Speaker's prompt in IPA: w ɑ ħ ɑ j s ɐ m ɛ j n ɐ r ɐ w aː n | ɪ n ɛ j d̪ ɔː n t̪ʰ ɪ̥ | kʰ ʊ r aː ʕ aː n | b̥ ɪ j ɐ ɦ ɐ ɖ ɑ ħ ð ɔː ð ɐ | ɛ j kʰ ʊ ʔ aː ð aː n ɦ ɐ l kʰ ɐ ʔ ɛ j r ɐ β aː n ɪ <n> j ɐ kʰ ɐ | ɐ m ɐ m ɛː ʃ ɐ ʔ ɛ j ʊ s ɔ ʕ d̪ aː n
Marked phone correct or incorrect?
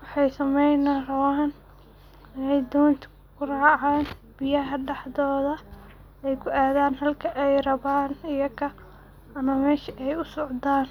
incorrect